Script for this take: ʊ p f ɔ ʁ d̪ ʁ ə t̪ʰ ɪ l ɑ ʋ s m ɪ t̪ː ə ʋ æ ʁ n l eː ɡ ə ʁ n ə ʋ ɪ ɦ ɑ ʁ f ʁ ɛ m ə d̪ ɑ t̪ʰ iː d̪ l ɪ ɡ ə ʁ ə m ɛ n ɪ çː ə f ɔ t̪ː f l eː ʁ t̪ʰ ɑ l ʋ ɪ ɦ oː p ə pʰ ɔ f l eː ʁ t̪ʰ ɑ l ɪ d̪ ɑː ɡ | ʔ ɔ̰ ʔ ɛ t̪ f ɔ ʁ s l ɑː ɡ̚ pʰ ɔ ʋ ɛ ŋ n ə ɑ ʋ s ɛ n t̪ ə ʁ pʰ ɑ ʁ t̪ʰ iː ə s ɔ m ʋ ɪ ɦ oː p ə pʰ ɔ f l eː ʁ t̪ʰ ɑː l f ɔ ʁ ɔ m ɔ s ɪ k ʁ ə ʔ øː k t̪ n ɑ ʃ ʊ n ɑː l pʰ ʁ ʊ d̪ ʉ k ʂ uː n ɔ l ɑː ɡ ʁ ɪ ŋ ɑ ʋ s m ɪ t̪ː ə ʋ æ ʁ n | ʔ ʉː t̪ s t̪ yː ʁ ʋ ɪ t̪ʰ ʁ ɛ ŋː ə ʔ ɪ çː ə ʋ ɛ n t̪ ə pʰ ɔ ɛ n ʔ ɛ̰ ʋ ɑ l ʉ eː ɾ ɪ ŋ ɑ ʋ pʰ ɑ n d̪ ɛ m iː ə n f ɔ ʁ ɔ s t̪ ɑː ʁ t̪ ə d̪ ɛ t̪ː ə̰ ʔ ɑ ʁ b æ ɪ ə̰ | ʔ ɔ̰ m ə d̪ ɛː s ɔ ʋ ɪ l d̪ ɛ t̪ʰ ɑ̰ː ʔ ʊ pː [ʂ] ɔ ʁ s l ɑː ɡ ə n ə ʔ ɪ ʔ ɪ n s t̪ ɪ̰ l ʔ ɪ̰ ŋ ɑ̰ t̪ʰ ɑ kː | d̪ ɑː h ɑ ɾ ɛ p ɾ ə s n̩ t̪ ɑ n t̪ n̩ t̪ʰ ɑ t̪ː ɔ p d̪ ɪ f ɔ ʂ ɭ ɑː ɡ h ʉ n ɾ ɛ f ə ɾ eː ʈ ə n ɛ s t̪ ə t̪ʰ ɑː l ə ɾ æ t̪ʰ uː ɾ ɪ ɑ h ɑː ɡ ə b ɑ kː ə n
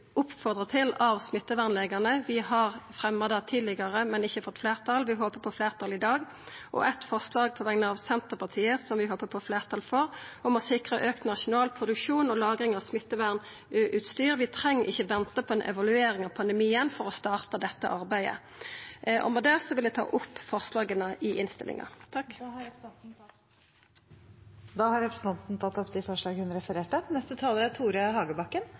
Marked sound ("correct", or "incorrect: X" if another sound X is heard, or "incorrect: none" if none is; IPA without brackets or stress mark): incorrect: f